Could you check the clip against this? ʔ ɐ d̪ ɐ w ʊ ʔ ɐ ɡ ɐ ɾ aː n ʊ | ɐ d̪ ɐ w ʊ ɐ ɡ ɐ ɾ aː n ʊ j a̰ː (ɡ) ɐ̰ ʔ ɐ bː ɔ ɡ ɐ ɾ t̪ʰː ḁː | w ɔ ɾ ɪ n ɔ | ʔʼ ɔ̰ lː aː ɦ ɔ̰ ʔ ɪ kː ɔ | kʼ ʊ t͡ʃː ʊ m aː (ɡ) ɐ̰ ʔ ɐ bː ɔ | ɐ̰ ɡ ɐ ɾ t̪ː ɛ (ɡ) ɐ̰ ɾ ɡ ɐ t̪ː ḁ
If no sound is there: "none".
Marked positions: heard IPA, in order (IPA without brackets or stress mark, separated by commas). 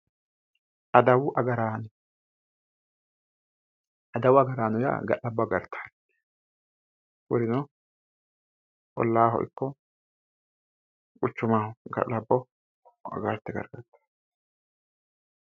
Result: ɡ, ɡ, ɡ